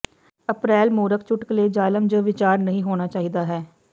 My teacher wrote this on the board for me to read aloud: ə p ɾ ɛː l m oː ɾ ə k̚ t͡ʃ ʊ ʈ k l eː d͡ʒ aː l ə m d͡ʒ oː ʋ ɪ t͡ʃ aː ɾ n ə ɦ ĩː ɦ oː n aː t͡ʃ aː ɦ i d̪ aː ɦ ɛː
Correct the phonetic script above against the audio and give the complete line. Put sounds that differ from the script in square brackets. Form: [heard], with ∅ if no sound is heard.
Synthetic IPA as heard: ə p ɾ ɛː l m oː ɾ ə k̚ t͡ʃ ʊ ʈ k l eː d͡ʒ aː l ə m d͡ʒ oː ʋ ɪ t͡ʃ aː ɾ n ə ɦ ĩː ɦ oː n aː t͡ʃ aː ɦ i d̪ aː ɦ ɛː